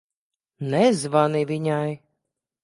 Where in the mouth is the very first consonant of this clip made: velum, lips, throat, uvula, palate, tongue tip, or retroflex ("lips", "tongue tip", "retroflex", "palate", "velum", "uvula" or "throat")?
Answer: tongue tip